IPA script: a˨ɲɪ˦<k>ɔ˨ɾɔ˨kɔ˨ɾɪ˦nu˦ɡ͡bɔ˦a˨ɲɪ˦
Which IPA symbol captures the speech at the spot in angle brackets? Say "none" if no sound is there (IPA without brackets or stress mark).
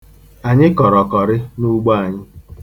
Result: k